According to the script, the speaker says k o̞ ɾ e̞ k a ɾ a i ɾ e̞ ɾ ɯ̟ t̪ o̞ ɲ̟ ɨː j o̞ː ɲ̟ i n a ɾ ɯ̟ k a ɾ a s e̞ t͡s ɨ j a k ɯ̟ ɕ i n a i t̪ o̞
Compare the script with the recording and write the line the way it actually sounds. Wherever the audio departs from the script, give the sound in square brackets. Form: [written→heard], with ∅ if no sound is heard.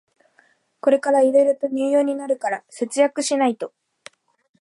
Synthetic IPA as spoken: k o̞ ɾ e̞ k a ɾ a i ɾ e̞ ɾ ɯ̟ t̪ o̞ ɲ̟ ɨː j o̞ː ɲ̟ i n a ɾ ɯ̟ k a ɾ a s e̞ t͡s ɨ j a k ɯ̟ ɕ i n a i t̪ o̞

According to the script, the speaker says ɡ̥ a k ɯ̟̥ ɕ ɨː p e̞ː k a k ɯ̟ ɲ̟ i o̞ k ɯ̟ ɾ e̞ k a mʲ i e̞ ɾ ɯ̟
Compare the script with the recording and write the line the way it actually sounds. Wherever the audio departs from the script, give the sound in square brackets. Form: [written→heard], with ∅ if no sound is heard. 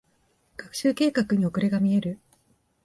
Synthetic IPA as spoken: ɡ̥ a k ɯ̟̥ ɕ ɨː [p→k] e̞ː k a k ɯ̟ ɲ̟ i o̞ k ɯ̟ ɾ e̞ [k→ɡ] a mʲ i e̞ ɾ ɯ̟

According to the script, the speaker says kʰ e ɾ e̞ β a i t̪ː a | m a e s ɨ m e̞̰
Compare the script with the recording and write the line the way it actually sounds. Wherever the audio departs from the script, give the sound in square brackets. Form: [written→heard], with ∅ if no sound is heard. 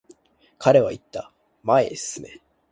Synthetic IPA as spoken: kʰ [e→a] ɾ e̞ β a i t̪ː a | m a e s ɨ [m→n] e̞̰

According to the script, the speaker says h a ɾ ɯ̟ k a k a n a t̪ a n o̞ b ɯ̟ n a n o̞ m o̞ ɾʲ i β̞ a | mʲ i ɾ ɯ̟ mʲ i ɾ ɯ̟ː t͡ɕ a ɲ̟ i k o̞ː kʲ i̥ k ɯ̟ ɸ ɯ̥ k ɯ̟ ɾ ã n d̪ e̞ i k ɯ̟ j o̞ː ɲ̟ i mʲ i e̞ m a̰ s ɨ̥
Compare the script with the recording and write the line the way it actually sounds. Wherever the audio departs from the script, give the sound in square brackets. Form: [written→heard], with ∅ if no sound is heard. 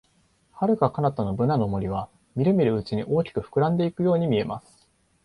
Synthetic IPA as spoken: h a ɾ ɯ̟ k a k a n a t̪ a n o̞ b ɯ̟ n a n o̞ m o̞ ɾʲ i β̞ a | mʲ i ɾ ɯ̟ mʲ i ɾ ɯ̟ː t͡ɕ [a→i] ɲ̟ i [k→ʔ] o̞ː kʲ i̥ k ɯ̟ ɸ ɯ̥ k ɯ̟ ɾ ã n d̪ e̞ i k ɯ̟ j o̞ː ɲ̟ i mʲ i e̞ m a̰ s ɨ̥

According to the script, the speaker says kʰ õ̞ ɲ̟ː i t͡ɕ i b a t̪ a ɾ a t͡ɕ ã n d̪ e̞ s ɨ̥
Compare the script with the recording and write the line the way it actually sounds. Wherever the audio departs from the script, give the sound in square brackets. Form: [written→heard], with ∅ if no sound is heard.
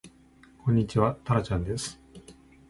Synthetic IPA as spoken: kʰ õ̞ ɲ̟ː i t͡ɕ i [b→β] a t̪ a ɾ a t͡ɕ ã n d̪ e̞ s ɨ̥

